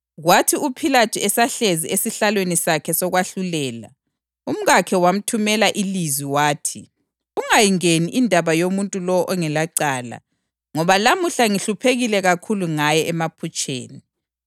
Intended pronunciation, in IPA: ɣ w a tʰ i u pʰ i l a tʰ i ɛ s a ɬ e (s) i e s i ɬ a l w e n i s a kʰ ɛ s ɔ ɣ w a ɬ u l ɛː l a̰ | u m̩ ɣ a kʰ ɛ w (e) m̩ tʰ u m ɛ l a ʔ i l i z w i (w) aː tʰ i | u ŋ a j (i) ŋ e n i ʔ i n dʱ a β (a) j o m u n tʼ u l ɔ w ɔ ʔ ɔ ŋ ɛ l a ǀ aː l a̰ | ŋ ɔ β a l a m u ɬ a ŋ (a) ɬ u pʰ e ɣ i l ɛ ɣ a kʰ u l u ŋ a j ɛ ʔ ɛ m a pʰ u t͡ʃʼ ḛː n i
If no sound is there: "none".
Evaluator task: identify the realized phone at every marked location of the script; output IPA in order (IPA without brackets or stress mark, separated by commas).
z, a, w, i, a, i